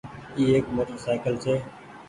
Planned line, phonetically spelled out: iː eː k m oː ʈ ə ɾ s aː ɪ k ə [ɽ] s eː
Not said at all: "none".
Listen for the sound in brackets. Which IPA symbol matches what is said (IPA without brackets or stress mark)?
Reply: l